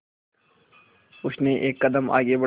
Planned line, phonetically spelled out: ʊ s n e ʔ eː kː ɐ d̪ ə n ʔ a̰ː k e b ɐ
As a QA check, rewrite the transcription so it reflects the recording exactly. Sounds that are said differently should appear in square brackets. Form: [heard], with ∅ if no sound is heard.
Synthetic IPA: ʊ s n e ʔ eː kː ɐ d̪ ə [m] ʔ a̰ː [ɡ] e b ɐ